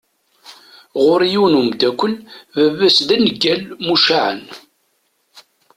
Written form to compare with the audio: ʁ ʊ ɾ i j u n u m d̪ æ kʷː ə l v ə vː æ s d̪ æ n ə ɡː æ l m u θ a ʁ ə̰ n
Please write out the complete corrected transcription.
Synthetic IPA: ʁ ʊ ɾ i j u n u m d̪ æ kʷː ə l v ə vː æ s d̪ æ n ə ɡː æ l m u ʃ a ʕ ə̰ n